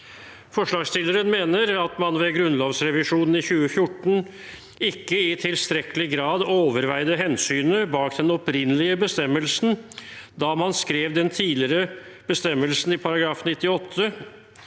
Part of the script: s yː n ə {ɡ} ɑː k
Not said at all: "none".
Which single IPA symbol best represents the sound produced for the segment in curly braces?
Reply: b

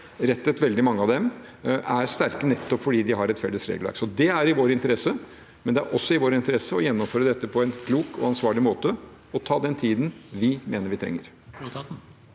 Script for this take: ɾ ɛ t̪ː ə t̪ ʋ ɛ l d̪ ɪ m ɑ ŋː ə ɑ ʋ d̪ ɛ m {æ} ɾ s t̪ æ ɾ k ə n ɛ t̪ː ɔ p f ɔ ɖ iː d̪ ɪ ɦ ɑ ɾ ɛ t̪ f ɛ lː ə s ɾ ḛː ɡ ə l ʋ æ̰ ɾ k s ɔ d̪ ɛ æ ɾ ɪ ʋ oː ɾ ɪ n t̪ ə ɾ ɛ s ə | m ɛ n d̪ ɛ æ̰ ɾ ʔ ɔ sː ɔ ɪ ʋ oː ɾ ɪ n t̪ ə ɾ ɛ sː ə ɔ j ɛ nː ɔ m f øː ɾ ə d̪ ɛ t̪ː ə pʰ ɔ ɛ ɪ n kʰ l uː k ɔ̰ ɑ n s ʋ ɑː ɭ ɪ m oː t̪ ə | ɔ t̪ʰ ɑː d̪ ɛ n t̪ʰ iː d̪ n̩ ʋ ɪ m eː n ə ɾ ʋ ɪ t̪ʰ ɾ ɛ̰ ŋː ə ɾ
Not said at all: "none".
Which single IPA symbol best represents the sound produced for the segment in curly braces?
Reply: æ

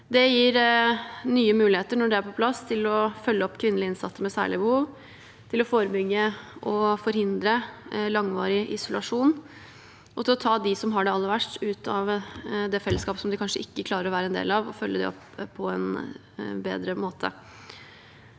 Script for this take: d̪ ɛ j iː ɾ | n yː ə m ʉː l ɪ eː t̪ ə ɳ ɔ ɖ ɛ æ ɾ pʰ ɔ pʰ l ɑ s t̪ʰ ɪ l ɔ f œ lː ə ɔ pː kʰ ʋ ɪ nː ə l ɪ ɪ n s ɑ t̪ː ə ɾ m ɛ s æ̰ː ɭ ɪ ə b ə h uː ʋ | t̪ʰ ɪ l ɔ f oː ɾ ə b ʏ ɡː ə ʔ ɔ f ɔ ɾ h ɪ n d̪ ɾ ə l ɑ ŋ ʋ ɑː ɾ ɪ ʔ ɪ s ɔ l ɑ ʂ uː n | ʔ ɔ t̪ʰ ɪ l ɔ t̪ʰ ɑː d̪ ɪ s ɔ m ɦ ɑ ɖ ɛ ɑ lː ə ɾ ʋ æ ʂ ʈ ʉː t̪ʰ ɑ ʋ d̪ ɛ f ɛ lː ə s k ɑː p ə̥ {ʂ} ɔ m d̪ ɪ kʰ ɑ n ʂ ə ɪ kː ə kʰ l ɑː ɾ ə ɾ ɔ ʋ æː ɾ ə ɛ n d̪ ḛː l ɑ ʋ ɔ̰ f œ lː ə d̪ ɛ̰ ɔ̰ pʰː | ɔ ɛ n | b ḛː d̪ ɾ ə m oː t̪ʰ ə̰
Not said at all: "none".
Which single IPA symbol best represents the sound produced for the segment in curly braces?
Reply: s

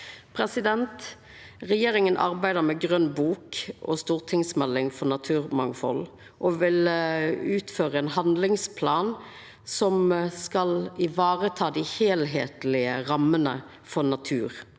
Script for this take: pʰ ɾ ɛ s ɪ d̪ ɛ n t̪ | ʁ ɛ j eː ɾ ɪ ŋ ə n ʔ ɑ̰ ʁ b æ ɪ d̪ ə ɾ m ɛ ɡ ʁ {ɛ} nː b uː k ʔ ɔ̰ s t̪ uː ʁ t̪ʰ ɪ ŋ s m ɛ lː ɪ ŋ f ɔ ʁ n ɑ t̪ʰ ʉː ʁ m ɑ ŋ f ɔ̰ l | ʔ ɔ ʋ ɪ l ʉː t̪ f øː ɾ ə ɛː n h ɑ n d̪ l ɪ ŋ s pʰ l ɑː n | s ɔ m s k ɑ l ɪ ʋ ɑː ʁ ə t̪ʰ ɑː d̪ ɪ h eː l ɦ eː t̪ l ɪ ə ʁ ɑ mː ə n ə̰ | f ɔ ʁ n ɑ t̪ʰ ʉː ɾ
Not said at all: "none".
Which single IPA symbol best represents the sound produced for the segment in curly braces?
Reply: œ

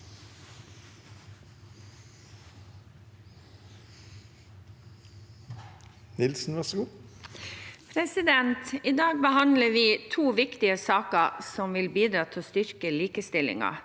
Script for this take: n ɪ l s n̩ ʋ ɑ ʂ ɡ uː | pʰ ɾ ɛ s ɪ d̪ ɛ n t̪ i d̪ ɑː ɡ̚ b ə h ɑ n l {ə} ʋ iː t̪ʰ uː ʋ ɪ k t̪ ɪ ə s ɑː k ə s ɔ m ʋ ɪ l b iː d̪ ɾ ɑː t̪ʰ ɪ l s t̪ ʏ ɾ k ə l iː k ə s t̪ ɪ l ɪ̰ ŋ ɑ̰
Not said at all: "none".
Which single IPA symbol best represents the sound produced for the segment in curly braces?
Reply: ə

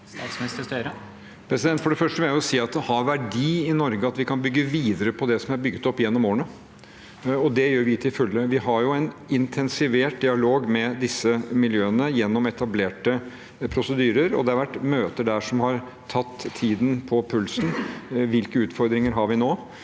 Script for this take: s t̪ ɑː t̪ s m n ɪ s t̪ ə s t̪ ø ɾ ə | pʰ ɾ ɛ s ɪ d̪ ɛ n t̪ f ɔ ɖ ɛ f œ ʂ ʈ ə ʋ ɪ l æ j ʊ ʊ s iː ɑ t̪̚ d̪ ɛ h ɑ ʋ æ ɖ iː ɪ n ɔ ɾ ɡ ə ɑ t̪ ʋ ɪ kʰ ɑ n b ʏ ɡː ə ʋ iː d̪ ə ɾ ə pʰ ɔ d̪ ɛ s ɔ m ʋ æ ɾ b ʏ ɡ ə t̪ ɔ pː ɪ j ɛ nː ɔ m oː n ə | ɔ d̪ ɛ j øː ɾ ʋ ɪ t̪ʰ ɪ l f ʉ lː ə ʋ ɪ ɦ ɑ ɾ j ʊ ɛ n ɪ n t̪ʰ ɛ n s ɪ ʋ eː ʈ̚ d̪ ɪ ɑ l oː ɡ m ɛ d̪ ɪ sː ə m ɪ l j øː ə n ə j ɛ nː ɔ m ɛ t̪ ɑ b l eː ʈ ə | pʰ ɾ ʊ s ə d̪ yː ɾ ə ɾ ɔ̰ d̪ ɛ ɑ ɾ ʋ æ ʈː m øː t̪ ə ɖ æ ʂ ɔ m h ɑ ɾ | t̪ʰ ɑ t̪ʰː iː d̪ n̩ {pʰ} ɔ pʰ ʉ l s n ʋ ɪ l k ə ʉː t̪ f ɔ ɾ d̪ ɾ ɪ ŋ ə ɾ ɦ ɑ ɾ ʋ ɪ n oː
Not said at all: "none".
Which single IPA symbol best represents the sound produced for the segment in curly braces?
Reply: pʰ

